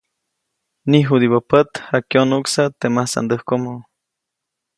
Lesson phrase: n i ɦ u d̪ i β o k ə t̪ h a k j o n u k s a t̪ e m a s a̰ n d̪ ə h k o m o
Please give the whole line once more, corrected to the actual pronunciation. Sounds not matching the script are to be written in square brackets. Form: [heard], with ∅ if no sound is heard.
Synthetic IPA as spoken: n i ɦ u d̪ i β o [p] ə t̪ h a k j o n u k s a t̪ e m a s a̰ n d̪ ə h k o m o